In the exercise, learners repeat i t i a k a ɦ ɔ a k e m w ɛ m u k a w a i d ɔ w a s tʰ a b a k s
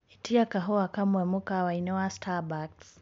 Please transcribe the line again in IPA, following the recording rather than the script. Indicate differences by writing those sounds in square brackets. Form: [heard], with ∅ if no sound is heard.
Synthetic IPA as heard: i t i a k a ɦ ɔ a k [a] m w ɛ m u k a w a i [n] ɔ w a s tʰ a b a k s